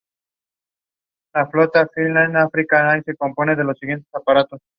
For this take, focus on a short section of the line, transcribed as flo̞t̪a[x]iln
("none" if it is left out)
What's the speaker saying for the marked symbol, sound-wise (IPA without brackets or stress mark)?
f